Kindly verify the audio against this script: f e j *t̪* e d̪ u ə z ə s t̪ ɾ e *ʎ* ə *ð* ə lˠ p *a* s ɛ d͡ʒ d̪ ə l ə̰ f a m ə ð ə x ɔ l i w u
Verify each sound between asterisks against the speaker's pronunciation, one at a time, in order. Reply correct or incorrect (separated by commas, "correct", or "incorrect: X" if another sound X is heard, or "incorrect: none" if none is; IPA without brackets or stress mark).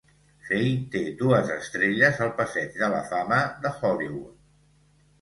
correct, correct, incorrect: z, incorrect: ə